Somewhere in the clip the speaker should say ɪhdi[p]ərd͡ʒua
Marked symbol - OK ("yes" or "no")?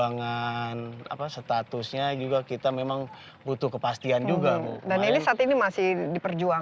yes